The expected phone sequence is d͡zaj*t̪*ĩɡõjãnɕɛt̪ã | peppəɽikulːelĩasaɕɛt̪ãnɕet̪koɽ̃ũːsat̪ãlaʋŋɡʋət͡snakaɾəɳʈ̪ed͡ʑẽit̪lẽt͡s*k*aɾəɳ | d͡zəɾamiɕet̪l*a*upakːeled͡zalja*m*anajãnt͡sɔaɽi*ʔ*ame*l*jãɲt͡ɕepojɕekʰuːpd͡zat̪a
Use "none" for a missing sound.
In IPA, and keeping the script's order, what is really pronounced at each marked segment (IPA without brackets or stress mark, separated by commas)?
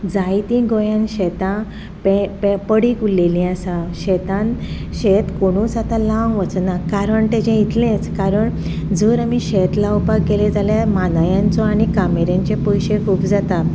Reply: t̪, k, a, m, k, ɾ